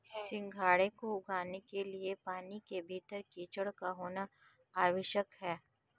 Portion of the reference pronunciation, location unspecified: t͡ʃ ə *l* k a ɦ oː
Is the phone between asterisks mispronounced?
yes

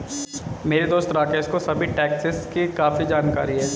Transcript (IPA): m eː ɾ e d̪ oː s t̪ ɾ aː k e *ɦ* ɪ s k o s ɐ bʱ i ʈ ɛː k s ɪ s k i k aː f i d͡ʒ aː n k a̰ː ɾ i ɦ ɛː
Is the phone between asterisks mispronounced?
yes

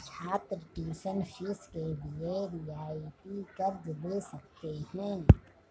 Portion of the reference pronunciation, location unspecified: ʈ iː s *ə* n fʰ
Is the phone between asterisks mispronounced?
no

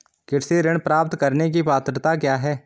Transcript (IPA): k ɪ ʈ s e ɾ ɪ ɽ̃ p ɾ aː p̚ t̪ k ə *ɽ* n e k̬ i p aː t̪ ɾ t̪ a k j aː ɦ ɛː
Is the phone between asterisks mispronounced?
yes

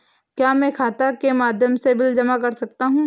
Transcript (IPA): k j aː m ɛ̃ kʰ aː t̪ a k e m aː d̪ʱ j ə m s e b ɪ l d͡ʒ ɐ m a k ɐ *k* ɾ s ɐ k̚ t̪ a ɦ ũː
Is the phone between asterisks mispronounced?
yes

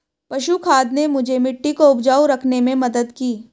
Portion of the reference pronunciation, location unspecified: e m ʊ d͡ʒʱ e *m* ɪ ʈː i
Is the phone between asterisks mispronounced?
no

